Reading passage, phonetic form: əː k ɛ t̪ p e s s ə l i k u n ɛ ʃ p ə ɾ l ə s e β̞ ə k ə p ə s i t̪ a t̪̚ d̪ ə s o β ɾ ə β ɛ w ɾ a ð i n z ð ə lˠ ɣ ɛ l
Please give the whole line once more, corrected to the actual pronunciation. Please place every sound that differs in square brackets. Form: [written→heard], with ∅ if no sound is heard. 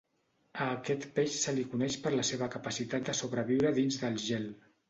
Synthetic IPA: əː k ɛ t̪ p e [s→ʃ] s ə l i k u n ɛ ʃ p ə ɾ l ə s e β̞ ə k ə p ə s i t̪ a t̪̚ d̪ ə s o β ɾ ə β [ɛ→i] w ɾ [a→ə] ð i n z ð ə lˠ [ɣ→ʒ] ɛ l